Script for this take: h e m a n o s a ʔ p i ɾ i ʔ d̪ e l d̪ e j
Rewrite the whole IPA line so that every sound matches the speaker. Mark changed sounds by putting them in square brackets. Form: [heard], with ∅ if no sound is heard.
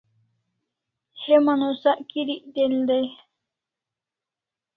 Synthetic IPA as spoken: h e m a n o s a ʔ [k] i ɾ i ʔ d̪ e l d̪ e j